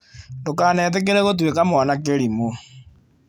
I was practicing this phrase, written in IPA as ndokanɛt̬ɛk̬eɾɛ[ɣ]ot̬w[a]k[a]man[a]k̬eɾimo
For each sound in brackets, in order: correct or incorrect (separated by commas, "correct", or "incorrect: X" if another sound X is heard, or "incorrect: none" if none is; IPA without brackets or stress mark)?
correct, incorrect: e, correct, correct